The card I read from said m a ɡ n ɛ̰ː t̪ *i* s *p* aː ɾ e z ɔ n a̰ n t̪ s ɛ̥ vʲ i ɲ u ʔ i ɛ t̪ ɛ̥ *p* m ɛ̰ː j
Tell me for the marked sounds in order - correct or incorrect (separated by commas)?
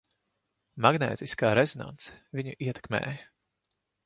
correct, incorrect, incorrect